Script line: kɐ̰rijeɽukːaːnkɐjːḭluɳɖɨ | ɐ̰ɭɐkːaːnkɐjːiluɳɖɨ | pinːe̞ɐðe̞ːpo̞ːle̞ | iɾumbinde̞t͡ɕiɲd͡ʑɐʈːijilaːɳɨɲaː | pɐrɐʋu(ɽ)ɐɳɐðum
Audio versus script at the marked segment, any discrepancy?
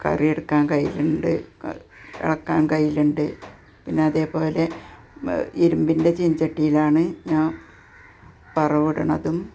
no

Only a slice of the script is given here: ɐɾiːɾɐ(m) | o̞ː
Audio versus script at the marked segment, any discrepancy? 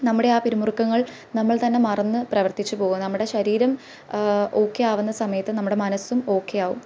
no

